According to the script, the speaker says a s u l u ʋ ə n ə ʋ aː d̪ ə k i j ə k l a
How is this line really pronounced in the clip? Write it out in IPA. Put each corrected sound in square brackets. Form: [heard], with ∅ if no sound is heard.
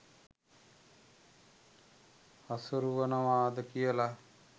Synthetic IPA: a s u [ɾ] u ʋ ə n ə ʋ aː d̪ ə k i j ə [∅] l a